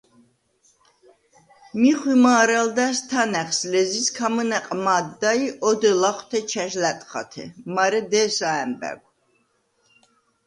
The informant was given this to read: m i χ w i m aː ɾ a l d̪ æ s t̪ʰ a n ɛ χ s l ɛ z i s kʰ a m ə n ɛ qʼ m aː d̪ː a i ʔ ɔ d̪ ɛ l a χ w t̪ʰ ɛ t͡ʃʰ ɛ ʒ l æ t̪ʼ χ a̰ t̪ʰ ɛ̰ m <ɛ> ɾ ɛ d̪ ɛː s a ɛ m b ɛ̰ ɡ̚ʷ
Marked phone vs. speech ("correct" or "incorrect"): incorrect